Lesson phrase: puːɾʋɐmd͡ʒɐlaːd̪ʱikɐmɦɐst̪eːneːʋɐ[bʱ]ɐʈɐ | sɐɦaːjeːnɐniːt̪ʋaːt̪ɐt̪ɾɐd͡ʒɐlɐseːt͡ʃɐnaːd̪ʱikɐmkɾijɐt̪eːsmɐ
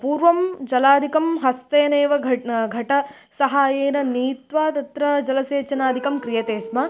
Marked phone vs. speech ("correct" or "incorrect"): incorrect